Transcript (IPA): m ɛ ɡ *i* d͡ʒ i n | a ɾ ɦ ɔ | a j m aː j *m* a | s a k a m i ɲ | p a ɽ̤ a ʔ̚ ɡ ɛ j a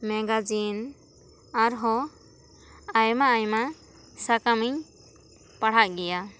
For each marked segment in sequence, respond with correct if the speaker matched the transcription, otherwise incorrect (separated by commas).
incorrect, correct